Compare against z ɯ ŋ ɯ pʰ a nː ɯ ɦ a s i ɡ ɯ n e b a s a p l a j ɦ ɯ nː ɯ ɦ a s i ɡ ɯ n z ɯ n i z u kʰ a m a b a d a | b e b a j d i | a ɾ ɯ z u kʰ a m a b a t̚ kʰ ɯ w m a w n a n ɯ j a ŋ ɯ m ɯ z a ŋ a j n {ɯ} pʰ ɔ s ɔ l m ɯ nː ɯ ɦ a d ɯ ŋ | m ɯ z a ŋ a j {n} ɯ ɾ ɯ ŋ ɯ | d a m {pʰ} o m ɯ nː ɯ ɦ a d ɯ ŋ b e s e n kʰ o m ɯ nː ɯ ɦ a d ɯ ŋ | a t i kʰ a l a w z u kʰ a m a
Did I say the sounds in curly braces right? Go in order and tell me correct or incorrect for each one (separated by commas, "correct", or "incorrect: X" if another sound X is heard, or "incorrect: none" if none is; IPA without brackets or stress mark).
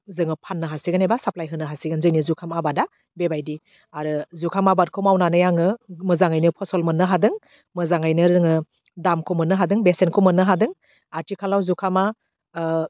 correct, correct, incorrect: kʰ